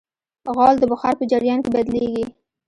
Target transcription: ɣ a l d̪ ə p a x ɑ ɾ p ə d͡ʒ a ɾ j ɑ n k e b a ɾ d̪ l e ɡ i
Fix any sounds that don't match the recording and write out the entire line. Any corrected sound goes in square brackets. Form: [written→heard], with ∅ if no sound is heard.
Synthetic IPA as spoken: ɣ [a→ɑ] l d̪ ə [p→b] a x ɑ ɾ p ə d͡ʒ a ɾ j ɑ n k e b a [ɾ→∅] d̪ l e ɡ i